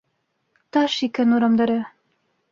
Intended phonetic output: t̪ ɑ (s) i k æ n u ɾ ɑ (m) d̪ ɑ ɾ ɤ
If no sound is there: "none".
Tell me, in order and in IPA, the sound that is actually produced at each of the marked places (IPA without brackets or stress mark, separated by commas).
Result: ʃ, m